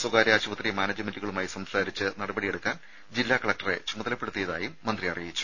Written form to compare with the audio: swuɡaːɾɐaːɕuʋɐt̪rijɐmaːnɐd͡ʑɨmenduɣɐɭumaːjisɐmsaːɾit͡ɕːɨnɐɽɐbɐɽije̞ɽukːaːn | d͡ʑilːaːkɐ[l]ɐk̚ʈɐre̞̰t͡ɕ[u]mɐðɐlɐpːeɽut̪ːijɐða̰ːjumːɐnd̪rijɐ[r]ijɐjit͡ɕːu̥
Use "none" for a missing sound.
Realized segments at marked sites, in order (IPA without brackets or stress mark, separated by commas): ɭ, u, r